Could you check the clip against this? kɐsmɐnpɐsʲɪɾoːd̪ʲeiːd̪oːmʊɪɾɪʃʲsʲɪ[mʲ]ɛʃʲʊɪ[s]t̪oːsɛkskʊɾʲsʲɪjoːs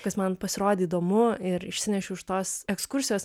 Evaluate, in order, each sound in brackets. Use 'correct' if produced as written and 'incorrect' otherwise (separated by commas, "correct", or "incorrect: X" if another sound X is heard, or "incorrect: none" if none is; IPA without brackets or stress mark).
incorrect: nʲ, incorrect: ʃ